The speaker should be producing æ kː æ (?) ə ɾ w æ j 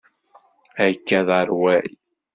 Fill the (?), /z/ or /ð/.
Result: ð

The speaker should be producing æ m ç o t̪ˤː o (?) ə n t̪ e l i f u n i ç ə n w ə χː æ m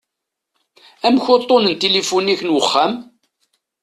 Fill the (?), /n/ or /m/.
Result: n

